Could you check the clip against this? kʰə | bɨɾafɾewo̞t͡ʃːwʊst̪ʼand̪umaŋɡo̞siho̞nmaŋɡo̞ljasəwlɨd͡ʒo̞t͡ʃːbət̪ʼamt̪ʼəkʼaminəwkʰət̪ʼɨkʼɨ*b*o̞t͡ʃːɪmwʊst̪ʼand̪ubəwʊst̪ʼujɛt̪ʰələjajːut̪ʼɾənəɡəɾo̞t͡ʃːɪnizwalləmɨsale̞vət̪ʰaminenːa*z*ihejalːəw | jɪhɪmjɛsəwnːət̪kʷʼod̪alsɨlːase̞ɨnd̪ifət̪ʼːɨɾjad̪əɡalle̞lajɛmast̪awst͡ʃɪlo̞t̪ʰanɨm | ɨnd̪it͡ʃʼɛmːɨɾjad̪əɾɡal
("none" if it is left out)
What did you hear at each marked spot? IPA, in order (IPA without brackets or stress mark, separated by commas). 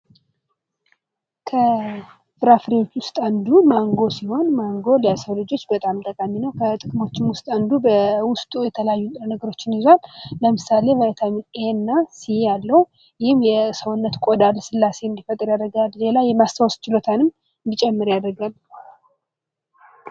m, s